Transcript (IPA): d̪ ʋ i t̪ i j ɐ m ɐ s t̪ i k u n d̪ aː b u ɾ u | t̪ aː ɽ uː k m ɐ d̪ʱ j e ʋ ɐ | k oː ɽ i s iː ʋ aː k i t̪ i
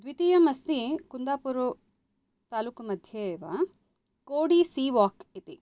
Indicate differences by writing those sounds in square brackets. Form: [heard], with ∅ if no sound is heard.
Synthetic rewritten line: d̪ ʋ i t̪ i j ɐ m ɐ s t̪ i k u n d̪ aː [p] u ɾ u | t̪ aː [l] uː k m ɐ d̪ʱ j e ʋ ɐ | k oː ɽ i s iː ʋ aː k i t̪ i